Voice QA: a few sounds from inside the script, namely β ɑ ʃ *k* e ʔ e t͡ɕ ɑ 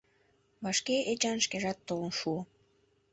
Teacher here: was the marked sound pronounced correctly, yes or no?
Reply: yes